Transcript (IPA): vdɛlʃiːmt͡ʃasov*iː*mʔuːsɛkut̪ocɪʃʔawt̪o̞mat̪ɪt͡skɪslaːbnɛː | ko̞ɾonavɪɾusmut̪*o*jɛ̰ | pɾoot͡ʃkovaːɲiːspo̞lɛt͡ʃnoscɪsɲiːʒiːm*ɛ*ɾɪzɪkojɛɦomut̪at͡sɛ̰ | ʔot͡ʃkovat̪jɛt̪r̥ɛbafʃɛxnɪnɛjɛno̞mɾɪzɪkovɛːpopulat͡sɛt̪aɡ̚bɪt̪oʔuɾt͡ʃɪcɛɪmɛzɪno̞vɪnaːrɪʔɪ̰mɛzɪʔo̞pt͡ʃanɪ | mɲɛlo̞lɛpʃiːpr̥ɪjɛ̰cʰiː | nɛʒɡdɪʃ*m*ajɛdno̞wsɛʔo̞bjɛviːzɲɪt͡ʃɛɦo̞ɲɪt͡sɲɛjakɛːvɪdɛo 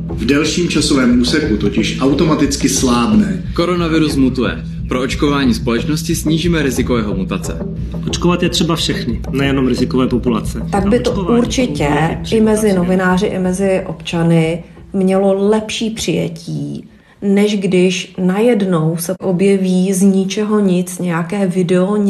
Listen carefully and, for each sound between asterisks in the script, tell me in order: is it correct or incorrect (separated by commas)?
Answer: incorrect, incorrect, correct, incorrect